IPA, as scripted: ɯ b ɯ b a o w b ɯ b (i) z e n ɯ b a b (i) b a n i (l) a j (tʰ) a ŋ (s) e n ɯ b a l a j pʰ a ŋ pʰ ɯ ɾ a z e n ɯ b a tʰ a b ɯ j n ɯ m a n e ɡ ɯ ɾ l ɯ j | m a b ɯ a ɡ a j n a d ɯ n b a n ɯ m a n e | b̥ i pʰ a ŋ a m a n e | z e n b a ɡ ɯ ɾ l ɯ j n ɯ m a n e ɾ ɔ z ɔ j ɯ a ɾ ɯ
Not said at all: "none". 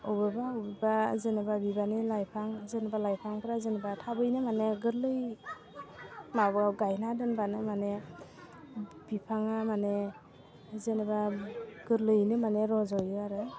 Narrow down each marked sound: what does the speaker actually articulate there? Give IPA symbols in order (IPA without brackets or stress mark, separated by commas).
a, i, l, pʰ, z